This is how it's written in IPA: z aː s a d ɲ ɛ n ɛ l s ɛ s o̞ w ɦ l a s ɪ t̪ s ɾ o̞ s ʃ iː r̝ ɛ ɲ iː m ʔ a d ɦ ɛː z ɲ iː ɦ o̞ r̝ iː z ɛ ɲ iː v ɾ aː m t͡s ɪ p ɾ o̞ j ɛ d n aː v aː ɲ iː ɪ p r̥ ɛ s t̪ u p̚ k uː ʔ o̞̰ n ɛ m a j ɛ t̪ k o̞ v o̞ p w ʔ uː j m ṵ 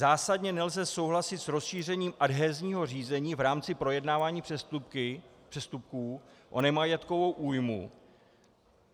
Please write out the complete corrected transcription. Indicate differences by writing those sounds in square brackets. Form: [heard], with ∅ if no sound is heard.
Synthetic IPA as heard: z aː s a d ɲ ɛ n ɛ l [z] ɛ s o̞ w ɦ l a s ɪ t̪ s ɾ o̞ s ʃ iː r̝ ɛ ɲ iː m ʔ a d ɦ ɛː z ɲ iː ɦ o̞ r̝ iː z ɛ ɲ iː v ɾ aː m t͡s ɪ p ɾ o̞ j ɛ d n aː v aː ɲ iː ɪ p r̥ ɛ s t̪ u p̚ k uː ʔ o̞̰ n ɛ m a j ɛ t̪ k o̞ v o̞ [∅] w ʔ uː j m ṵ